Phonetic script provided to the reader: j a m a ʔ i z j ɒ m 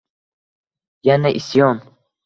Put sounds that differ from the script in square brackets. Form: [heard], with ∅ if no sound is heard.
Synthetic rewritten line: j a [n] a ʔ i [s] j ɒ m